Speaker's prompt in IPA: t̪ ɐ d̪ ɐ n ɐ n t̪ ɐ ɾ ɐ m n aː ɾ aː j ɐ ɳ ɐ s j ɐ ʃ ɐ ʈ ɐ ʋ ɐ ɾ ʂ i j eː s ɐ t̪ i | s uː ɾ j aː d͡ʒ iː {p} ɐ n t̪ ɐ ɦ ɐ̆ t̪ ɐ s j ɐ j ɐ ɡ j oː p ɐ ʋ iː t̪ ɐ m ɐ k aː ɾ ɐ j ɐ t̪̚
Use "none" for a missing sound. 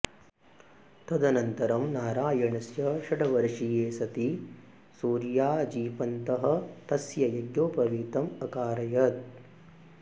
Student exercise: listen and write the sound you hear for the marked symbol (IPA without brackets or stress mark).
p